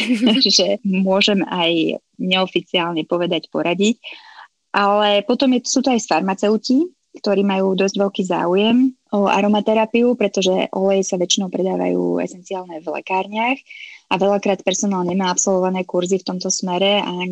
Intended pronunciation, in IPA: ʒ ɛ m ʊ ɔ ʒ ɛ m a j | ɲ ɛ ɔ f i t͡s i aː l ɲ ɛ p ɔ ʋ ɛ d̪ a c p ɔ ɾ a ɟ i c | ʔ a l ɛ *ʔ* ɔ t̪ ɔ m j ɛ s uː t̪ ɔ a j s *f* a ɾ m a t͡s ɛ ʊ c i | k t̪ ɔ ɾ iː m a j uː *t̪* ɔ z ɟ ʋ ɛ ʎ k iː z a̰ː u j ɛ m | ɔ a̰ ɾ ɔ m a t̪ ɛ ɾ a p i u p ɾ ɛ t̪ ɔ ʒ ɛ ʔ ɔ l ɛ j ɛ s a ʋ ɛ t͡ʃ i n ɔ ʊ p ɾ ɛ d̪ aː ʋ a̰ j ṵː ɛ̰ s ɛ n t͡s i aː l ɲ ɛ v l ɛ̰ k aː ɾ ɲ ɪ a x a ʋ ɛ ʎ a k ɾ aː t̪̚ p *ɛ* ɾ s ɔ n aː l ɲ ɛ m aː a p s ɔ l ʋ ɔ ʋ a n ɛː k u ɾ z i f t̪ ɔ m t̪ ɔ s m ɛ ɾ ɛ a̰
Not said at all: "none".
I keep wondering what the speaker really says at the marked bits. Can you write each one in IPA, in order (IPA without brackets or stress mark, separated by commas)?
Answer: p, f, d̪, ɛ